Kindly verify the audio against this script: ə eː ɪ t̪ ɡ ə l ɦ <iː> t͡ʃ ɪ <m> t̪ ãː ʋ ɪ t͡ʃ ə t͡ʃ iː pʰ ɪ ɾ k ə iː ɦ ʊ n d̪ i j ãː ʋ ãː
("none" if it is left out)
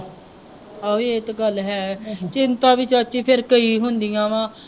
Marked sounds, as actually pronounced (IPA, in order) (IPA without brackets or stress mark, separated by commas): ɛː, n